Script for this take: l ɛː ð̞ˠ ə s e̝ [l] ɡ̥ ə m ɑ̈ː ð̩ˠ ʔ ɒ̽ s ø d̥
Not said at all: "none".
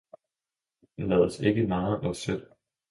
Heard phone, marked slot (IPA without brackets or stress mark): none